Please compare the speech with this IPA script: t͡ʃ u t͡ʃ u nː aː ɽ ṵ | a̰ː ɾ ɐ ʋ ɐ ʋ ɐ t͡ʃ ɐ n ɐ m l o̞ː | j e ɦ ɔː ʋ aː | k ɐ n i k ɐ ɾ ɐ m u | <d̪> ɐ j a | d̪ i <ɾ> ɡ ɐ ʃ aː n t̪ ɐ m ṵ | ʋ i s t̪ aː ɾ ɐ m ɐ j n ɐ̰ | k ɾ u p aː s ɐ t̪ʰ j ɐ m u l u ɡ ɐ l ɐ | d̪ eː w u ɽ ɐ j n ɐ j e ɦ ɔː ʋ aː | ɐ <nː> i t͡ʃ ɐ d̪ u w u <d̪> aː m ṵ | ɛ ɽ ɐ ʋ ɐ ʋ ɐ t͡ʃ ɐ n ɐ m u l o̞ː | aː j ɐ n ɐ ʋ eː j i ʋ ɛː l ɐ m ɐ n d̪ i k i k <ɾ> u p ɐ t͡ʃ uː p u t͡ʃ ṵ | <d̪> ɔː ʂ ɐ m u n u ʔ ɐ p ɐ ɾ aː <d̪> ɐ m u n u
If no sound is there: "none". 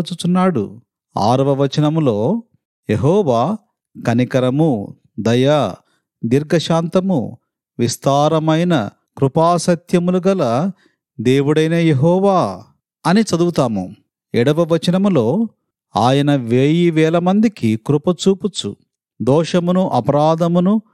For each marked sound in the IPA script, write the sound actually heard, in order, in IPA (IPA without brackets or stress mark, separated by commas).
d̪, ɾ, n, t̪, ɾ, d̪, d̪